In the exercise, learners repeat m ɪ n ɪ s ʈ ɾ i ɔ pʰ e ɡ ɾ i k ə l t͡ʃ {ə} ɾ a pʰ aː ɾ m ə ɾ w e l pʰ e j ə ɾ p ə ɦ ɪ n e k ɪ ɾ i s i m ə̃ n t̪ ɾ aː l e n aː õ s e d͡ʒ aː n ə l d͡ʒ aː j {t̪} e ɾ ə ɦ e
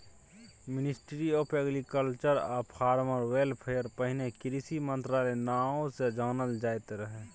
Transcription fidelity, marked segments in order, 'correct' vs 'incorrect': correct, correct

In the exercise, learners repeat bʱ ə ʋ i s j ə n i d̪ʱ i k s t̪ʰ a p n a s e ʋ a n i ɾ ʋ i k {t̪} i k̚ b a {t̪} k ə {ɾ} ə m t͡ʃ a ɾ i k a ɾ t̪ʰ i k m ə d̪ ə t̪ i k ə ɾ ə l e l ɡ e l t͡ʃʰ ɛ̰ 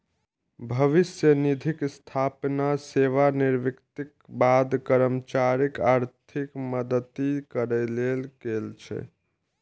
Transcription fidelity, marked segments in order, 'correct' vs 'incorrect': correct, incorrect: d̪, correct

